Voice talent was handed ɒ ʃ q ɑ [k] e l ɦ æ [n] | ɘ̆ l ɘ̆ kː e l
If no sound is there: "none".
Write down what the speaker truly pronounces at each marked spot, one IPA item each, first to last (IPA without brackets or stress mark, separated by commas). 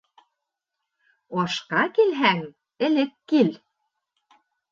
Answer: k, ŋ